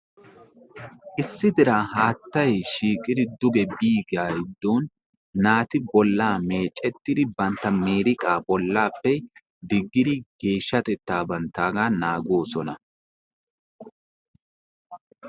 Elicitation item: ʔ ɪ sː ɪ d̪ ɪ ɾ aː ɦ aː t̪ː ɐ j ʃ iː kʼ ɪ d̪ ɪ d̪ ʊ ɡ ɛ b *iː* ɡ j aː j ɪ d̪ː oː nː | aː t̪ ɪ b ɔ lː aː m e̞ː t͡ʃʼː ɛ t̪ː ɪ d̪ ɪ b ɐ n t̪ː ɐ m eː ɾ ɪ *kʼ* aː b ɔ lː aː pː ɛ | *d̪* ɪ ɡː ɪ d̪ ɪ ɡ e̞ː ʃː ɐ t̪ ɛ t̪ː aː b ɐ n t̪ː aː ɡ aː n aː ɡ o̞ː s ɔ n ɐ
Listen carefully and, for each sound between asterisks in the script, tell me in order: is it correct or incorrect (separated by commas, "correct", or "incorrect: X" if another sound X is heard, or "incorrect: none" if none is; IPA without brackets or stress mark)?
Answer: correct, correct, correct